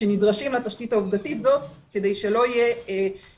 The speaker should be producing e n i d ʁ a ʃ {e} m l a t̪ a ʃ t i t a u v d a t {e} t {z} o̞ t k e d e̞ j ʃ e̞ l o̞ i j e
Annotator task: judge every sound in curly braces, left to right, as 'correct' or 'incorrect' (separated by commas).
incorrect, incorrect, correct